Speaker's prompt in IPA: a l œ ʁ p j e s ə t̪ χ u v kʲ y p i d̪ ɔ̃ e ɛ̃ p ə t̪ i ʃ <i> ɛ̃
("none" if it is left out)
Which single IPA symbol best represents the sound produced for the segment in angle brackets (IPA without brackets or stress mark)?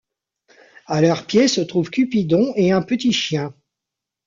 j